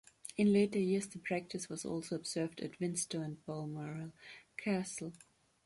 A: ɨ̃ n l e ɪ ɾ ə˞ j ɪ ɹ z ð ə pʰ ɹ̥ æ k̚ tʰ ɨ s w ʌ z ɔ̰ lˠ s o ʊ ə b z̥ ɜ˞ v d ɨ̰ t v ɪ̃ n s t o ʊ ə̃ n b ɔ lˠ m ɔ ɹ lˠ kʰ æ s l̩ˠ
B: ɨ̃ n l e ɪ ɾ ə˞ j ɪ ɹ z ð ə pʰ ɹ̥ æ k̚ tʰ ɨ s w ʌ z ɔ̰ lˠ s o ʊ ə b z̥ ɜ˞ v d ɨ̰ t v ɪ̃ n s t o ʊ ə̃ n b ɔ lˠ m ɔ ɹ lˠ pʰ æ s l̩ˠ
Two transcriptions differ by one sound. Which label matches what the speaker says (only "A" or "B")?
A